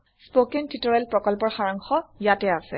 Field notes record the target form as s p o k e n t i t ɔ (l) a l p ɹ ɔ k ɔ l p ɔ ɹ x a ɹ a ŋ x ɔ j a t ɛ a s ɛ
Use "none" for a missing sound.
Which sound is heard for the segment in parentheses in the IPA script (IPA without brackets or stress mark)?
ɹ